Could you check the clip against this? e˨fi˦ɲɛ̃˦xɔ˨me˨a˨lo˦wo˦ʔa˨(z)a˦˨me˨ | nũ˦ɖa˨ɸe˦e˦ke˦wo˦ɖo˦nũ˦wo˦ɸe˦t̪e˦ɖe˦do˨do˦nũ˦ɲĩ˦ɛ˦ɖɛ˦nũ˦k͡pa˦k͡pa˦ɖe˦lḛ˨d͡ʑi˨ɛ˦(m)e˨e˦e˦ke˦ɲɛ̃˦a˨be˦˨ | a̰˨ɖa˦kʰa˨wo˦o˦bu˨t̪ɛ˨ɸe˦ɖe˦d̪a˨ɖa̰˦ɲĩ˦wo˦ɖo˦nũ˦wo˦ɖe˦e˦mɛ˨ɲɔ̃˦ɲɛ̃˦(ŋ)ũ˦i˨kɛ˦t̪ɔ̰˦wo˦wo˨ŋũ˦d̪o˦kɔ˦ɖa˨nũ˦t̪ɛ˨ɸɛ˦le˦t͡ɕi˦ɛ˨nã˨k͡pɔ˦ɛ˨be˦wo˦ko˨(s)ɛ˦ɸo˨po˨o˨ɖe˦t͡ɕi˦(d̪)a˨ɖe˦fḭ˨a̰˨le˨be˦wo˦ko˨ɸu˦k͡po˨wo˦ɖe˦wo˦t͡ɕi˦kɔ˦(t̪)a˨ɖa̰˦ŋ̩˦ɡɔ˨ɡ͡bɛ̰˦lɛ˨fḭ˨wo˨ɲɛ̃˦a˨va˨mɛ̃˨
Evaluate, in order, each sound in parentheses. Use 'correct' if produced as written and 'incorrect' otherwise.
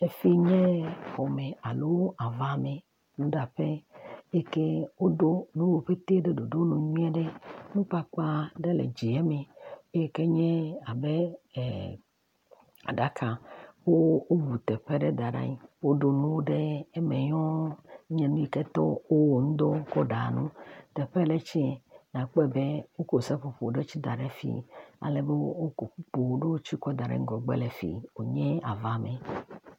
incorrect, correct, incorrect, correct, correct, incorrect

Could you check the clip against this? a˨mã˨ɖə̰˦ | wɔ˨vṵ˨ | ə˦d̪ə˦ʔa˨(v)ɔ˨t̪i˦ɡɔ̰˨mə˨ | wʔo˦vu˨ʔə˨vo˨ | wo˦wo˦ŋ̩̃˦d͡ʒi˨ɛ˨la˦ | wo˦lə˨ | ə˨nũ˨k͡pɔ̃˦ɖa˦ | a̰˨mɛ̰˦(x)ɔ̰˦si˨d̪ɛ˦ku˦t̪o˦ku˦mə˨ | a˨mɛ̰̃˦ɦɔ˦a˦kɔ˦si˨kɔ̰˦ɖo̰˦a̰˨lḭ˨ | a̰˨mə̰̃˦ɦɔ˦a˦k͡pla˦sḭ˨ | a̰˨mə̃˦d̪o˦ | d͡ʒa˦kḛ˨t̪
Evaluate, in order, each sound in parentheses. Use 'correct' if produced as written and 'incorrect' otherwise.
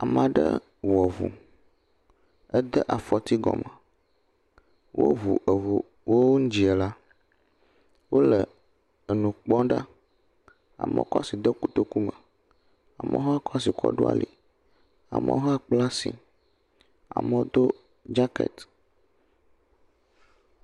incorrect, incorrect

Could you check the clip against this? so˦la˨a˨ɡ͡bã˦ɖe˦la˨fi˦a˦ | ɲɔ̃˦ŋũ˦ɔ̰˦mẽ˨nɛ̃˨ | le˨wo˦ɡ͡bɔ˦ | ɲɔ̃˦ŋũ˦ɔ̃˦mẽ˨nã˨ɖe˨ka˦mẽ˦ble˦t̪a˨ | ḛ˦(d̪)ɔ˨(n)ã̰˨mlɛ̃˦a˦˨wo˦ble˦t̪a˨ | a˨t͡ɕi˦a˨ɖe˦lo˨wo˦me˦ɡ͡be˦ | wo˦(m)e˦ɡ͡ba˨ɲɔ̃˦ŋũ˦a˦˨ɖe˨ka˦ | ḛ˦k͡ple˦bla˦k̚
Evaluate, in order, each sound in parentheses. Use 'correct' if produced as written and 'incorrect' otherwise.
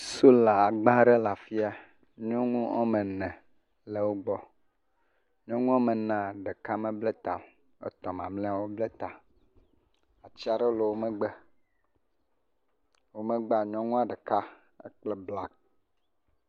incorrect, incorrect, correct

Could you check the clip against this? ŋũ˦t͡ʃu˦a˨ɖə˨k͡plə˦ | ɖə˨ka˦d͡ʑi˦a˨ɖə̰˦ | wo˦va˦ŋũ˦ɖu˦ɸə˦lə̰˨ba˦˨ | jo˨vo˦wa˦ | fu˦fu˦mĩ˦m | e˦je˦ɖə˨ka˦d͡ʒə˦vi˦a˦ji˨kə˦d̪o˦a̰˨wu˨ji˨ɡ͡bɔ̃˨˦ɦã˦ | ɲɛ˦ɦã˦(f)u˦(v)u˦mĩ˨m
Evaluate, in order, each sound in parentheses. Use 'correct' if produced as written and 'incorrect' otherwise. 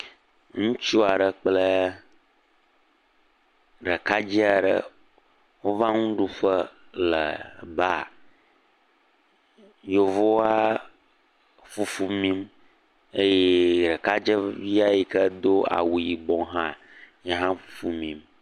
correct, incorrect

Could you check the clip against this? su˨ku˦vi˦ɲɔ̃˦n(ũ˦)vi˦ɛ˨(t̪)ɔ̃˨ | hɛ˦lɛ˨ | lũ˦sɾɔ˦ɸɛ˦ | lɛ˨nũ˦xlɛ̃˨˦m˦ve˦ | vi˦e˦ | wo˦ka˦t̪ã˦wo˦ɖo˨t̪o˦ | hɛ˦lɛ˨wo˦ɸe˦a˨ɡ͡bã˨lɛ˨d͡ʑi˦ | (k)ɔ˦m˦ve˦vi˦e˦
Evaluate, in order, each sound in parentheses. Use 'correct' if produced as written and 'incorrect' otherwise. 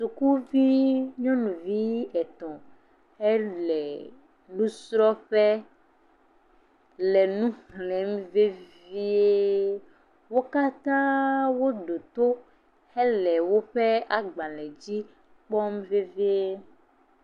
incorrect, correct, incorrect

